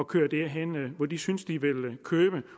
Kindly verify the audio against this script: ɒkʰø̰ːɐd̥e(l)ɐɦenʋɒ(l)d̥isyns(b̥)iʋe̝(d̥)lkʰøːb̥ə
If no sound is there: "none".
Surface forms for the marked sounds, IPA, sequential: none, none, d̥, none

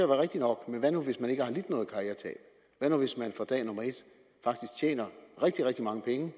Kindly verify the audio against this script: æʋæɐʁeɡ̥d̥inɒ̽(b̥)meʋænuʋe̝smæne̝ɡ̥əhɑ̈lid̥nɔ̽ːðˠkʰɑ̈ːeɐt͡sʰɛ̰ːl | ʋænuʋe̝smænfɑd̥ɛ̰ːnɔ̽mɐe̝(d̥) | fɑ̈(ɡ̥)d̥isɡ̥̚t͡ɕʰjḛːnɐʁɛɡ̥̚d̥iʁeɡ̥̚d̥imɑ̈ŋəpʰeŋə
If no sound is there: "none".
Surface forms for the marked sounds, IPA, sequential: ɡ̥, d̥, ɡ̥

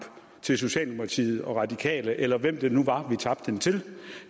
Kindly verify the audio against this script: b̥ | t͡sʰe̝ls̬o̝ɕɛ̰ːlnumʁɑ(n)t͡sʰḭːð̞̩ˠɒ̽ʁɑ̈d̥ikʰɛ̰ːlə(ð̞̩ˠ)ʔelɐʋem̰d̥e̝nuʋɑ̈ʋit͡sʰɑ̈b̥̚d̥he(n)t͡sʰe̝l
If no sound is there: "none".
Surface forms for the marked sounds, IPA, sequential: none, none, n

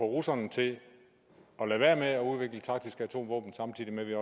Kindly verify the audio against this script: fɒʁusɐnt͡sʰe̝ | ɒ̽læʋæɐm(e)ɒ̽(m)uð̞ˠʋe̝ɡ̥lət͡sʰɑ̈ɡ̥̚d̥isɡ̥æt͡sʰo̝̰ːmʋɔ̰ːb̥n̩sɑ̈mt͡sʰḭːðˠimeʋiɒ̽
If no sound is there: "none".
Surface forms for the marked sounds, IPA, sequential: e, none

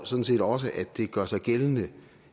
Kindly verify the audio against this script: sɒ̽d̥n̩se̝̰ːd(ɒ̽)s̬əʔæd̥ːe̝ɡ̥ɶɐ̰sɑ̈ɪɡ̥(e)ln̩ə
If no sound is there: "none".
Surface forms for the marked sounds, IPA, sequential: ɒ̽, e

